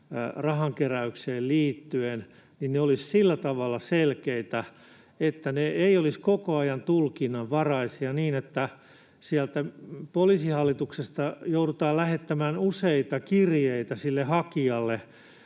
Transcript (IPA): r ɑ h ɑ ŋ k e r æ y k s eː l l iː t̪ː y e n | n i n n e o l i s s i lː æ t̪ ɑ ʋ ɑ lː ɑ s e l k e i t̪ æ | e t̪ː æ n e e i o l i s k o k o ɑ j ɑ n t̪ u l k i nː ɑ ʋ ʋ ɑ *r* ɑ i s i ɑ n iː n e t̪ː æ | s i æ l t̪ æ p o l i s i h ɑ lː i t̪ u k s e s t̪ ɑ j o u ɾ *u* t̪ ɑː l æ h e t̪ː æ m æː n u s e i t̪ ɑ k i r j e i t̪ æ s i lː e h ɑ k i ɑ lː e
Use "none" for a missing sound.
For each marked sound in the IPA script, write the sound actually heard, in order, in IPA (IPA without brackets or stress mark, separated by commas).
r, u